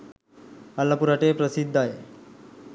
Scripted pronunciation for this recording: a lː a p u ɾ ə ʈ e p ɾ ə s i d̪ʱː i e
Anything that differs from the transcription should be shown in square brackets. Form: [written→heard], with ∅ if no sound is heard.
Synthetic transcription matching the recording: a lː a p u ɾ [ə→a] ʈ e p ɾ ə s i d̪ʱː [i→a] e